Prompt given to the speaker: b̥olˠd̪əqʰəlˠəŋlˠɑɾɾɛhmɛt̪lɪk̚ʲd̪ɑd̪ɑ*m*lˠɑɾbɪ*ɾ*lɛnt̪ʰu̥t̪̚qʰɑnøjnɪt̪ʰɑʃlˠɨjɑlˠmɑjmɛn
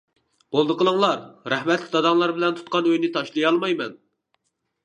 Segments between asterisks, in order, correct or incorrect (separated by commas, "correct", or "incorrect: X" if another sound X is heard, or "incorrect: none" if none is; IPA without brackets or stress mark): incorrect: ŋ, incorrect: none